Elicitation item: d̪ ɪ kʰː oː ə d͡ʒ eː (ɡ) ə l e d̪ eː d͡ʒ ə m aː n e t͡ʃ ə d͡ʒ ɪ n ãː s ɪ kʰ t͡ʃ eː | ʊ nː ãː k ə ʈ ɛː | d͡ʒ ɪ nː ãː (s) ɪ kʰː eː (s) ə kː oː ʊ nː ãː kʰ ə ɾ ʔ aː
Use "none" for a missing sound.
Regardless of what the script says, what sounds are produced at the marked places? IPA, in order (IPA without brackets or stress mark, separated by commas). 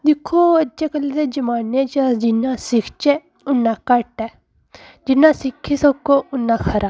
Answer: k, s, s